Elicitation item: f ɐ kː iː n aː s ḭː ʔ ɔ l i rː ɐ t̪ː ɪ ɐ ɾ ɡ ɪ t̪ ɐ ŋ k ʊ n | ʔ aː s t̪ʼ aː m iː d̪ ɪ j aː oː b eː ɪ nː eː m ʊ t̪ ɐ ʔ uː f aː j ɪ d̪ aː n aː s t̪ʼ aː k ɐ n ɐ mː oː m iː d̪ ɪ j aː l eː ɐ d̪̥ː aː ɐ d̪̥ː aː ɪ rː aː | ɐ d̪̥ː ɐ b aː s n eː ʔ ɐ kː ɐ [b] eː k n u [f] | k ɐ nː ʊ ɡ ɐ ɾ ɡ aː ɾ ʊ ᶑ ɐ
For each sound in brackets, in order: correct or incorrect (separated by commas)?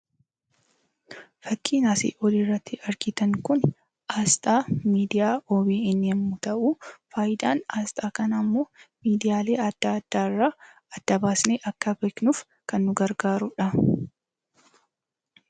correct, correct